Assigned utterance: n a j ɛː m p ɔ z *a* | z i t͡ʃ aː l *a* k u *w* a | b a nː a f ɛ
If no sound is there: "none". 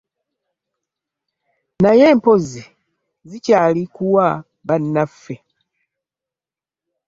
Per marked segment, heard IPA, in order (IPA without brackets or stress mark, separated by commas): i, i, w